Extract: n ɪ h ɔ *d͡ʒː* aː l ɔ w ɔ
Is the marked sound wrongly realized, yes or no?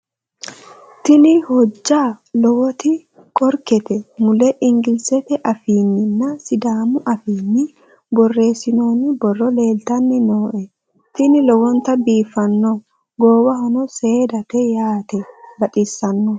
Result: no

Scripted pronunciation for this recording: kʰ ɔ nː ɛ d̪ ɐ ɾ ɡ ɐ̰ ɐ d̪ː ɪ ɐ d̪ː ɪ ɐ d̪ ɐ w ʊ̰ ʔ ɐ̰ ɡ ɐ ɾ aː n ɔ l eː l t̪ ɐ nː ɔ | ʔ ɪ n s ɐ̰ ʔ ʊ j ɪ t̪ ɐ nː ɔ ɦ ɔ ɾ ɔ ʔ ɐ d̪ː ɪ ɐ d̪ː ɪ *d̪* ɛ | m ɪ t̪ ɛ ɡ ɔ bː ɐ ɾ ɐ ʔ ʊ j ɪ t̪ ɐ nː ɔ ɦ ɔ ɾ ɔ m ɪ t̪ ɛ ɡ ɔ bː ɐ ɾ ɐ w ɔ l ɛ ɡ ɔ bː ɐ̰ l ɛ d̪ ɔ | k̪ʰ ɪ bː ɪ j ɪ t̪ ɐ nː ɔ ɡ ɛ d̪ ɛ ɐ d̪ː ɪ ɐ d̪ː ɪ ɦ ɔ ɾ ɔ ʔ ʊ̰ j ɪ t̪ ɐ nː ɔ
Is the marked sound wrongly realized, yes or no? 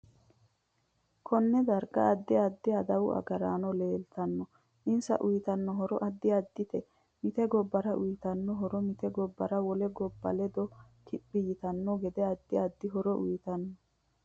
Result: yes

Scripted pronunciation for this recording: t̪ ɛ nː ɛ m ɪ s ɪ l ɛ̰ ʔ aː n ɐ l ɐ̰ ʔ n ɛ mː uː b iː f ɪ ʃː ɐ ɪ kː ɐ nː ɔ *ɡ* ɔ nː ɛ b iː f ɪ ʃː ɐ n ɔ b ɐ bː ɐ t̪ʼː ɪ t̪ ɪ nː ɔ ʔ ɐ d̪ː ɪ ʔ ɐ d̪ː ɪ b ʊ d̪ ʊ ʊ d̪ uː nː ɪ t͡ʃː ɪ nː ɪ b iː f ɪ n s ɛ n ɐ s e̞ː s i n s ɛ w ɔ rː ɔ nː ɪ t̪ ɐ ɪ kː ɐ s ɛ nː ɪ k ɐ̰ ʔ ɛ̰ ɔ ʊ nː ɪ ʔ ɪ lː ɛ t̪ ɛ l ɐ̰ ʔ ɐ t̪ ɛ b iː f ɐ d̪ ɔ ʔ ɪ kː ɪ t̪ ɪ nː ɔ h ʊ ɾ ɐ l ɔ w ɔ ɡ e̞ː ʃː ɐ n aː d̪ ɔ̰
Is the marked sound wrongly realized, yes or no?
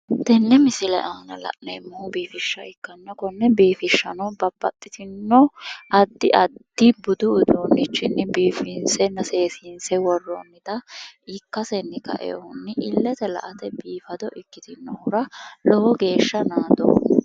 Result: yes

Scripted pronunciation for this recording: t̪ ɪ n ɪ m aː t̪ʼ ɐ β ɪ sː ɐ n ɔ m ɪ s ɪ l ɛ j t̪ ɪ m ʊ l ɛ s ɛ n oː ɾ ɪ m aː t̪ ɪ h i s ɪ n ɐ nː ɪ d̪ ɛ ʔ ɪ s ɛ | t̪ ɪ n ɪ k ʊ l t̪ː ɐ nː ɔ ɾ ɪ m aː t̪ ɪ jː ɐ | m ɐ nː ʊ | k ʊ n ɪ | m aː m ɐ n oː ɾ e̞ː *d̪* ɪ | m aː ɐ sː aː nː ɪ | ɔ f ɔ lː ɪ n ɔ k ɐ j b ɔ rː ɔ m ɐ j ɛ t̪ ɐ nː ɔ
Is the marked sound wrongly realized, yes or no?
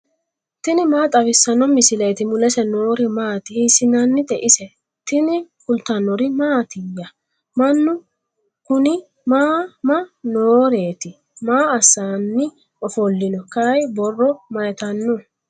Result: yes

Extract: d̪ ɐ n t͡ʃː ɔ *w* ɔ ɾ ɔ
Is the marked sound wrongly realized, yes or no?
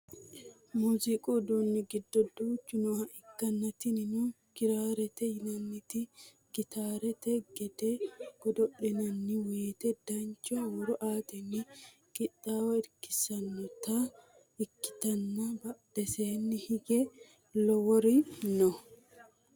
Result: no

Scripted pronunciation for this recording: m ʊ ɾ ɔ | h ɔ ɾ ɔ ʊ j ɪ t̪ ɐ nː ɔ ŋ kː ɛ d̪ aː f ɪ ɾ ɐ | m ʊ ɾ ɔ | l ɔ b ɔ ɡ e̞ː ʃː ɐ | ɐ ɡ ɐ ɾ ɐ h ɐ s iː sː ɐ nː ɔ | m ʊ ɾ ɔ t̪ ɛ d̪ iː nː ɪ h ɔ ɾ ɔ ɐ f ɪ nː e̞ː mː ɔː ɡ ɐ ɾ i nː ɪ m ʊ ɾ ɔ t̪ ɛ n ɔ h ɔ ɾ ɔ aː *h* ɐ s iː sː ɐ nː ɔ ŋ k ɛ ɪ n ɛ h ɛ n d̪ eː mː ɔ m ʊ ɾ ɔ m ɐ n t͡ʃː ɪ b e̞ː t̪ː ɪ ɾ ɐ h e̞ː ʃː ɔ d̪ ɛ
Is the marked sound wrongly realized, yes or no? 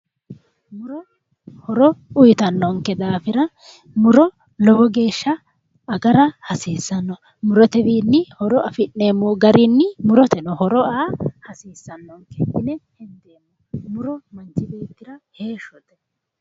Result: no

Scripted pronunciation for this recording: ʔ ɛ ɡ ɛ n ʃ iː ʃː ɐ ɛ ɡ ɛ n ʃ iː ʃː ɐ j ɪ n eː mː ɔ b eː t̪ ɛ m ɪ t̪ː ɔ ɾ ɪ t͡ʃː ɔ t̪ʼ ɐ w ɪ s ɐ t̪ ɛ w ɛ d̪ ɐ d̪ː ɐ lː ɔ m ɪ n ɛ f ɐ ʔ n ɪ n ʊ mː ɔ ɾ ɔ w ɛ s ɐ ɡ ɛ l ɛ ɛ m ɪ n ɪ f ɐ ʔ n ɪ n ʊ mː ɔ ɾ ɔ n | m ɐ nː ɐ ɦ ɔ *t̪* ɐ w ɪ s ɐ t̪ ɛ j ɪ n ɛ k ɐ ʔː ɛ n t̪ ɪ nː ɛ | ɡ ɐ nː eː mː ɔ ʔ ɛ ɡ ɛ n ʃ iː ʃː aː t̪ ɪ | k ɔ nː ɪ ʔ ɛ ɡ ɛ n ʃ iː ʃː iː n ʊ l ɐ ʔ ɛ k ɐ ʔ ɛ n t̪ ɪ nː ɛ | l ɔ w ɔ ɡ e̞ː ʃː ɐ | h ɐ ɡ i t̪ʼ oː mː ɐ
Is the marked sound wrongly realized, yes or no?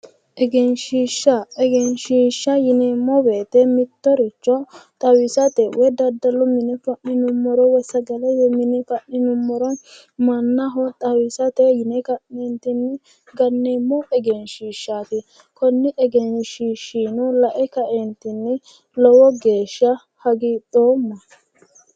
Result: yes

